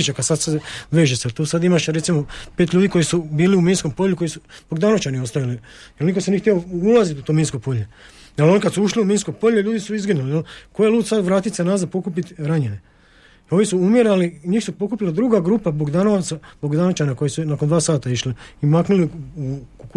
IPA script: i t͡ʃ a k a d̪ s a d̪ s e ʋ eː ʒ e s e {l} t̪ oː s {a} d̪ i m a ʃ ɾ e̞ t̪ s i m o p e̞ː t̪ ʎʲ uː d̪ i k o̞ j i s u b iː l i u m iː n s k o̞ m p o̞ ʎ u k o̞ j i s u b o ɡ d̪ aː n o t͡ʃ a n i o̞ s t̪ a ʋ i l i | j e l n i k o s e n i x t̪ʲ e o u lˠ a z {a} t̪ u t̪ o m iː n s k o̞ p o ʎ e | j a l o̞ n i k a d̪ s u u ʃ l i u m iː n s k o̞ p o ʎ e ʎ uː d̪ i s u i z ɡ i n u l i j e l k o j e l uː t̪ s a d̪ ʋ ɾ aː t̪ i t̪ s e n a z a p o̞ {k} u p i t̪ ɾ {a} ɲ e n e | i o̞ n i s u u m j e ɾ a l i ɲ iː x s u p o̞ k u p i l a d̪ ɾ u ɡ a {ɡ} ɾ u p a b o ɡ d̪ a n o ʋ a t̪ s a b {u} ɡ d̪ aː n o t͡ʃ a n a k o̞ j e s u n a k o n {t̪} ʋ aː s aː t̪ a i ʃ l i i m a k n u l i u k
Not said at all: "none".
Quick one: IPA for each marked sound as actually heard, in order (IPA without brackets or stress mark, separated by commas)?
l, a, i, k, a, ɡ, o, d̪